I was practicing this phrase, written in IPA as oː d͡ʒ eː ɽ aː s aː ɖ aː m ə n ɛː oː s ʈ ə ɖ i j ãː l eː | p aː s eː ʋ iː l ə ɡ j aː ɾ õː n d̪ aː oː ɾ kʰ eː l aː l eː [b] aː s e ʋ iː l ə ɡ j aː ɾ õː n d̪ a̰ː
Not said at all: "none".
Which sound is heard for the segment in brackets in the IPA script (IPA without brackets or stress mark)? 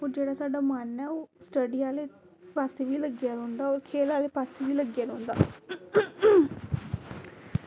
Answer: p